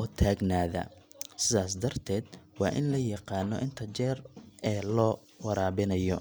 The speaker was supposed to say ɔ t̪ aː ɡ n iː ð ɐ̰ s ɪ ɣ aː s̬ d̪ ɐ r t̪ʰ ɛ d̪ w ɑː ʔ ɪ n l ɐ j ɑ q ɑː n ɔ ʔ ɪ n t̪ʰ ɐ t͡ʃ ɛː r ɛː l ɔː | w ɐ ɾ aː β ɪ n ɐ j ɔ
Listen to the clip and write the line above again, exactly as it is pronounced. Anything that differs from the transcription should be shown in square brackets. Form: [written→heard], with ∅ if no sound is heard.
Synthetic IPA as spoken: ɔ [t̪→t̪ʰ] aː ɡ n [iː→aː] ð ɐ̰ s ɪ [ɣ→ð] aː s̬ d̪ ɐ r t̪ʰ [ɛ→ɛː] d̪ w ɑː ʔ ɪ n l ɐ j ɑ q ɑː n ɔ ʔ ɪ n t̪ʰ ɐ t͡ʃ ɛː r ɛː l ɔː | w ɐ ɾ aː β ɪ n ɐ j ɔ